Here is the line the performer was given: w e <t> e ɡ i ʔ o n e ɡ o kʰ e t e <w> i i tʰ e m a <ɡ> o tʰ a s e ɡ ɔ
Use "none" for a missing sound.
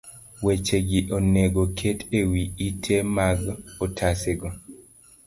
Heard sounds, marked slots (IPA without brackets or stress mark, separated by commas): t͡ʃ, w, ɡ